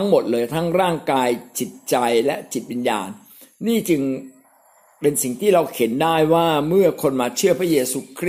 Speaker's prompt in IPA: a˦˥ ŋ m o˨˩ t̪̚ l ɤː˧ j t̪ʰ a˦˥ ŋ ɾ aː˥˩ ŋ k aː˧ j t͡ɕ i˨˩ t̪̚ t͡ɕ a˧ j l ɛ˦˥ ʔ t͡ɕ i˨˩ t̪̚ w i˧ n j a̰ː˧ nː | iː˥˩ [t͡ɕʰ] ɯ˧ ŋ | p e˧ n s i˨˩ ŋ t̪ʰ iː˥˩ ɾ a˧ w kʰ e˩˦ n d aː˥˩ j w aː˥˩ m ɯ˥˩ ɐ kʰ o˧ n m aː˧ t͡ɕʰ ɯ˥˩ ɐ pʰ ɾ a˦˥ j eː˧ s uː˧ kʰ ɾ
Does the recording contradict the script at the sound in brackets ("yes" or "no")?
yes